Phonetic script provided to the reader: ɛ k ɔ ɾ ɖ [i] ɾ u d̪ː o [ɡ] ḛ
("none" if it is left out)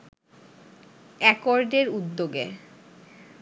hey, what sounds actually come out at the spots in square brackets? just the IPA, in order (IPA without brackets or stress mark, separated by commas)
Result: e, ɡ